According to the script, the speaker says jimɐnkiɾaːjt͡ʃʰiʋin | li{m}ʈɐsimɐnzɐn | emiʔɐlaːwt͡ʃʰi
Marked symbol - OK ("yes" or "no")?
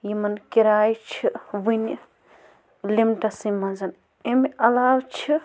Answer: yes